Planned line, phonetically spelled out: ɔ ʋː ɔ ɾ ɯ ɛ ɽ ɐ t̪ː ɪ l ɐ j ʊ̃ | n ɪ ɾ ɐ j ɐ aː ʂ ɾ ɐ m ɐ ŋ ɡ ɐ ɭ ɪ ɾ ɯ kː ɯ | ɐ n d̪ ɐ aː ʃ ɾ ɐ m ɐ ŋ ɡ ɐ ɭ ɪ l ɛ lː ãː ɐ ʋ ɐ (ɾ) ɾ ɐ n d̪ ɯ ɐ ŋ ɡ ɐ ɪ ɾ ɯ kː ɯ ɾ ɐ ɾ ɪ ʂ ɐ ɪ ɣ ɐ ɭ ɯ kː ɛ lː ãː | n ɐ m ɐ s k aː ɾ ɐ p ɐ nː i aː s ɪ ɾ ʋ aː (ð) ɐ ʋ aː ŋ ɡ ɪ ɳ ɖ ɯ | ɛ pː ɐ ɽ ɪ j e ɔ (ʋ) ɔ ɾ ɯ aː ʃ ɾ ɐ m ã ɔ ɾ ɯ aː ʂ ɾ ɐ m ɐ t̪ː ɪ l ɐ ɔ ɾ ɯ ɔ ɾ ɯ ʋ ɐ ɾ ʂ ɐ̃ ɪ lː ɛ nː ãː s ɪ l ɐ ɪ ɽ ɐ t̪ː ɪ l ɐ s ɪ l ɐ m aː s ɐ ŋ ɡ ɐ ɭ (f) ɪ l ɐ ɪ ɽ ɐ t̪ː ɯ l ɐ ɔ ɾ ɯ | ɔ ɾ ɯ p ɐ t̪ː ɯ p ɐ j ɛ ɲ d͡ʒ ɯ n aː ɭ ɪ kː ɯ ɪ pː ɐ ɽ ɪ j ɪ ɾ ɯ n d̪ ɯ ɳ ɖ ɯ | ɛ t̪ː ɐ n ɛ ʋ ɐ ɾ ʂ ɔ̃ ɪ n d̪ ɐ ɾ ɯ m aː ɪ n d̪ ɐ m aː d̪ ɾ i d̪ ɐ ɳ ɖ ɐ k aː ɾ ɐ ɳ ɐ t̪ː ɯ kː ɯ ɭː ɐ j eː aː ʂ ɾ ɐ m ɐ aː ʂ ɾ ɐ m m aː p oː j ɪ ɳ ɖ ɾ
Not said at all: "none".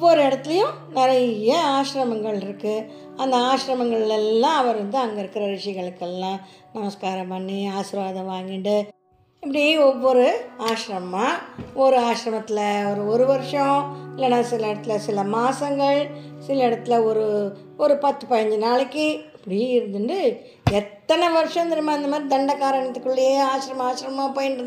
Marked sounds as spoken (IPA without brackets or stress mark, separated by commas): ɾ, ð, ʋː, s